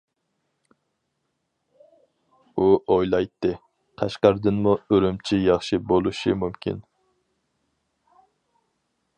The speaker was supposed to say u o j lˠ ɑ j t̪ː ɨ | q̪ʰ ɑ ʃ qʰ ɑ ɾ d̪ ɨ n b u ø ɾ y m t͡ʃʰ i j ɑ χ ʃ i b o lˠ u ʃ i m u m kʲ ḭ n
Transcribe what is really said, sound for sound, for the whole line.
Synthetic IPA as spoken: u o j lˠ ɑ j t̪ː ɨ | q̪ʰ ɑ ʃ q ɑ ɾ d̪ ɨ n m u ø ɾ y m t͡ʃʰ i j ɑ χ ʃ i b o lˠ u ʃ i m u m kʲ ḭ n